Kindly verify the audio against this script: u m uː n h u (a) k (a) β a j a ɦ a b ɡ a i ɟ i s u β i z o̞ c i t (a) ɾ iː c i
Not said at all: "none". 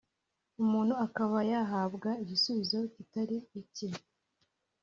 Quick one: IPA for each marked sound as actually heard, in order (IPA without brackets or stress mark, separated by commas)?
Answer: a, a, a